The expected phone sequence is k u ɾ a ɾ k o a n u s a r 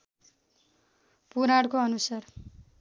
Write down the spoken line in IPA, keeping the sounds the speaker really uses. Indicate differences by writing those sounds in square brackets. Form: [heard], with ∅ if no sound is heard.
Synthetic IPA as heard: [p] u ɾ a [ɽ] k o [ʌ] n u s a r